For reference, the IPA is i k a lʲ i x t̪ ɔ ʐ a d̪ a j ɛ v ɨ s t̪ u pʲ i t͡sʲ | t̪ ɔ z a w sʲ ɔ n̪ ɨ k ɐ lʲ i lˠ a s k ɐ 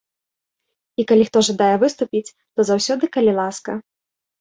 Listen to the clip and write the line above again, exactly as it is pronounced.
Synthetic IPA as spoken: i k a lʲ i x t̪ ɔ ʐ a d̪ a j ɛ v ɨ s t̪ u pʲ i t͡sʲ | t̪ ɔ z a w sʲ ɔ d̪ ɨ k ɐ lʲ i lˠ a s k ɐ